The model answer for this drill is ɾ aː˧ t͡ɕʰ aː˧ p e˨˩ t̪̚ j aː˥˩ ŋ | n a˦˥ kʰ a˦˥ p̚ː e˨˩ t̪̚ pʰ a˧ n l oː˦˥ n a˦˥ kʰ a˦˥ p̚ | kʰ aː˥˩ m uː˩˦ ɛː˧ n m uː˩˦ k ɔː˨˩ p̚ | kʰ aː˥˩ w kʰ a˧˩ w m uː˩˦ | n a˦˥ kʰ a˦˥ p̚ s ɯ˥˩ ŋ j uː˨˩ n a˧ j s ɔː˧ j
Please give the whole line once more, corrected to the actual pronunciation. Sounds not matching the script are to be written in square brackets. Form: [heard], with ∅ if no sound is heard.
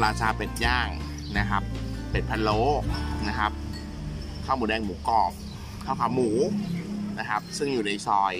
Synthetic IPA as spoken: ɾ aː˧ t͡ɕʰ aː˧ p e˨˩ t̪̚ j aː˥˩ ŋ | n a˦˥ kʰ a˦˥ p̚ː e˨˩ t̪̚ pʰ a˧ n l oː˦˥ n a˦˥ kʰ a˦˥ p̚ | kʰ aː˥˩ m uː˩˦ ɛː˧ [ŋ] m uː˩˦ k ɔː˨˩ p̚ | kʰ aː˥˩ w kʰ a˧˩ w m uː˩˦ | n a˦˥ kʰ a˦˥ p̚ s ɯ˥˩ ŋ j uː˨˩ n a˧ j s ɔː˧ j